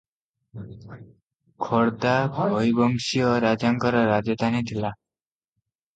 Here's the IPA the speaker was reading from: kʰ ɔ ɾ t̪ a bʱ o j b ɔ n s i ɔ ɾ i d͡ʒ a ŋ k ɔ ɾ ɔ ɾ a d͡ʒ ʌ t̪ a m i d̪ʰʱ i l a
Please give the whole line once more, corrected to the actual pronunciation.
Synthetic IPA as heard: kʰ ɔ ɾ d̪ a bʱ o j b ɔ ŋ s i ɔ ɾ a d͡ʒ a ŋ k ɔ ɾ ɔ ɾ a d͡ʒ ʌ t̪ a n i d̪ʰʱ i l a